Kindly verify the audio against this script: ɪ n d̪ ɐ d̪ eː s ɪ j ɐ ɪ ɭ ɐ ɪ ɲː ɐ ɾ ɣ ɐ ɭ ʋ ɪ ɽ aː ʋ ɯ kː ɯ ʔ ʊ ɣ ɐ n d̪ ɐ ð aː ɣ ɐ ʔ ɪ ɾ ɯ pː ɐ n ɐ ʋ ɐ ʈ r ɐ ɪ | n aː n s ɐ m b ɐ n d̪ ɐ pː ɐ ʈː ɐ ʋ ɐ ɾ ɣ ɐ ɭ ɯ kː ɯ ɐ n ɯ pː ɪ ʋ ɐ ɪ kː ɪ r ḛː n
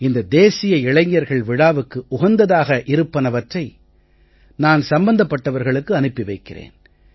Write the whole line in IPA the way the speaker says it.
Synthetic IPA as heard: ɪ n d̪ ɐ d̪ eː s ɪ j ɐ ɪ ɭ ɐ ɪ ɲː ɐ ɾ ɣ ɐ ɭ ʋ ɪ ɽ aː ʋ ɯ kː ɯ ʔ ʊ ɣ ɐ n d̪ ɐ ð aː ɣ ɐ ʔ ɪ ɾ ɯ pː ɐ n ɐ ʋ ɐ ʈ r ɐ ɪ | n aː n s ɐ m b ɐ n d̪ ɐ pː ɐ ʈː ɐ ʋ ɐ ɾ ɣ ɐ ɭ ɯ kː ɯ ɐ n ɯ pː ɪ ʋ ɐ ɪ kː ɪ r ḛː n